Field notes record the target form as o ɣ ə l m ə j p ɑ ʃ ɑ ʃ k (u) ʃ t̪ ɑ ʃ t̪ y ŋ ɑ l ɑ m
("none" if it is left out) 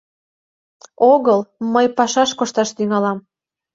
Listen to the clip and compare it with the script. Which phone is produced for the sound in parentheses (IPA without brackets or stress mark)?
o